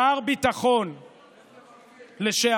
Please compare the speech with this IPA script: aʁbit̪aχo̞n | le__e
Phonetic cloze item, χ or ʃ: ʃ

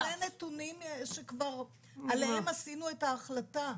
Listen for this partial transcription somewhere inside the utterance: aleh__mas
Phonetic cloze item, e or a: e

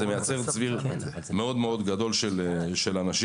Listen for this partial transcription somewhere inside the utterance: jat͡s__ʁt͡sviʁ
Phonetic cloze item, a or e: e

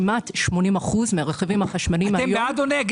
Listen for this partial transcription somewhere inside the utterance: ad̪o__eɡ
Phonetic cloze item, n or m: n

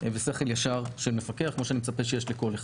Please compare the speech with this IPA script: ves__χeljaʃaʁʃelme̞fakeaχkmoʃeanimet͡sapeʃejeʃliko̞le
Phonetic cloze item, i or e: e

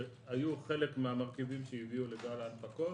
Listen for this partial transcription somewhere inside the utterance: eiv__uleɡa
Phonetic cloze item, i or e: i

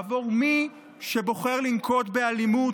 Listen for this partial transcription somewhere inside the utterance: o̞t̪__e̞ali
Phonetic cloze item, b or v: b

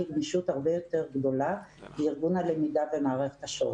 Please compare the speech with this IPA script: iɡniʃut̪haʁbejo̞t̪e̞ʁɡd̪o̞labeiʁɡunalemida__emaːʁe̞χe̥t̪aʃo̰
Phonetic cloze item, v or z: v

